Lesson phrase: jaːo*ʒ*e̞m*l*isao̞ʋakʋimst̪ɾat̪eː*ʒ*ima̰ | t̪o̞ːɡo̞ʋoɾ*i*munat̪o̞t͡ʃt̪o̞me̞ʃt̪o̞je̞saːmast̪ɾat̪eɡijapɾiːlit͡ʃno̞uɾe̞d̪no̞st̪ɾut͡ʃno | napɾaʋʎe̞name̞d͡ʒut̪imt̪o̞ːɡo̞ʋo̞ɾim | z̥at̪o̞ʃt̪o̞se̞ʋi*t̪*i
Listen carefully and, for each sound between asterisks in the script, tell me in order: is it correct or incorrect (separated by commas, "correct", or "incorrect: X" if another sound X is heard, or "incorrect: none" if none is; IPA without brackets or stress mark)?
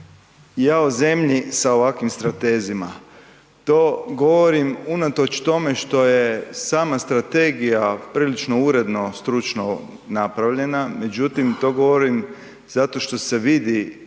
incorrect: z, incorrect: ʎ, incorrect: z, correct, incorrect: d̪